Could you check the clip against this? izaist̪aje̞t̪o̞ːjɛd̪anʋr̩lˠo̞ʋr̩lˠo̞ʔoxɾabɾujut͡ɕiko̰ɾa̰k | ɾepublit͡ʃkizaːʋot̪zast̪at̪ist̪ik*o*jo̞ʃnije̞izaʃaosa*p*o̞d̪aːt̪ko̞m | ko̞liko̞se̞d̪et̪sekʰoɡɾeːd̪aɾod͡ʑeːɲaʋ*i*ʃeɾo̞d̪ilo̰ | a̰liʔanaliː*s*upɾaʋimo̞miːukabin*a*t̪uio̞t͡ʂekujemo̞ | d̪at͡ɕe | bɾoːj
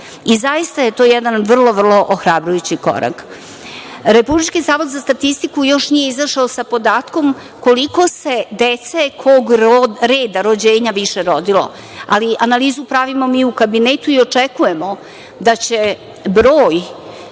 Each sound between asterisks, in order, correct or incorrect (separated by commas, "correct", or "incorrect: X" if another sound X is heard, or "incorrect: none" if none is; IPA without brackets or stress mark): incorrect: u, correct, correct, incorrect: z, incorrect: e